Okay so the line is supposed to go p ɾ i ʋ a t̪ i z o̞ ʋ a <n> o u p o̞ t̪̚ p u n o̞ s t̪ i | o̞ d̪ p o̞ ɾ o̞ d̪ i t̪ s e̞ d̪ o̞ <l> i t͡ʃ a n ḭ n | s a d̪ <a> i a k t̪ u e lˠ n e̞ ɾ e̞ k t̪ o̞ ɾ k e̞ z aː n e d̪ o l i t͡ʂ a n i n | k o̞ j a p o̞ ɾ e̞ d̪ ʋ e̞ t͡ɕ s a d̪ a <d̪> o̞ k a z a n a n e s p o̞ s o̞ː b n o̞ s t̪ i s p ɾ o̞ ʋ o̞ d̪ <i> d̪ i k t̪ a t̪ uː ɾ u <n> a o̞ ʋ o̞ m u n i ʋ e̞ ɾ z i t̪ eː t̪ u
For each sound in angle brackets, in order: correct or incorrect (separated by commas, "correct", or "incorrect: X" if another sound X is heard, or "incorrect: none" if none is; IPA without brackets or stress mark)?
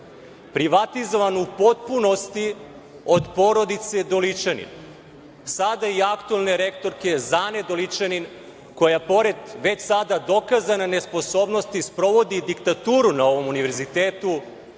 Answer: correct, correct, correct, correct, correct, correct